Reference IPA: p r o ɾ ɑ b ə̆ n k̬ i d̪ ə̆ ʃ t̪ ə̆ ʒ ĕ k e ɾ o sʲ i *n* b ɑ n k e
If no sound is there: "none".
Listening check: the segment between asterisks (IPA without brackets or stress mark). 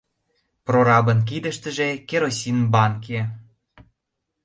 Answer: n